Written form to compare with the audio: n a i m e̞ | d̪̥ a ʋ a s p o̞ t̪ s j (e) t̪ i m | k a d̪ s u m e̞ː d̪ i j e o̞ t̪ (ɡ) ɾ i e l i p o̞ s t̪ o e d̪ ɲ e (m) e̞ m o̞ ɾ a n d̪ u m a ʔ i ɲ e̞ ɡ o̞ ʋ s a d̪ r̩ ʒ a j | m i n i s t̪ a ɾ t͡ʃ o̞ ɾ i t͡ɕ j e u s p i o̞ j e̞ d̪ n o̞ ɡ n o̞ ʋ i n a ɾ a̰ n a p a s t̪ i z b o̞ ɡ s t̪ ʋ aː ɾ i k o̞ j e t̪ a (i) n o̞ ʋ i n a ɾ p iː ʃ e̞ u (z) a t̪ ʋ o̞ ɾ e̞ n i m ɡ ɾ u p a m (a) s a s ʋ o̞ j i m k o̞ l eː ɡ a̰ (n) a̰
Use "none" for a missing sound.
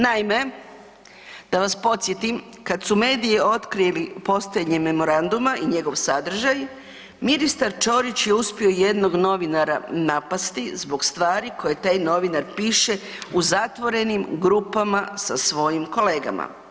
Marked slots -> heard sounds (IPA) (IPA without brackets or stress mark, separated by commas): e, k, m, j, z, a, m